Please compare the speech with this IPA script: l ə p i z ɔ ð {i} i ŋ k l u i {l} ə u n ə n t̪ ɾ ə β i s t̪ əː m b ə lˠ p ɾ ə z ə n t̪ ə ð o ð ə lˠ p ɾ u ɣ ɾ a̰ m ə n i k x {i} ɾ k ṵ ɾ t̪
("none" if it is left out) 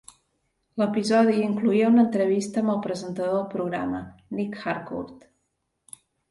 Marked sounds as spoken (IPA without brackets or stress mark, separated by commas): i, none, a